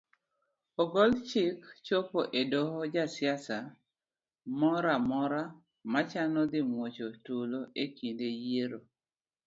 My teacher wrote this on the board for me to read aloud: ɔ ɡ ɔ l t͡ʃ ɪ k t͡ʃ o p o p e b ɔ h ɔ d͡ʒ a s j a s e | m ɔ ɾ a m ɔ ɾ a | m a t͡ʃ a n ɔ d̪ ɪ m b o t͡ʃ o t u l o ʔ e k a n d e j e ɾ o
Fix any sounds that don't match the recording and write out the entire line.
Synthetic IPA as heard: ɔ ɡ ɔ l t͡ʃ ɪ k t͡ʃ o p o ʔ e d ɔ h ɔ d͡ʒ a s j a s a | m ɔ ɾ a m ɔ ɾ a | m a t͡ʃ a n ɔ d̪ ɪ m w o t͡ʃ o t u l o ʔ e k i n d e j e ɾ o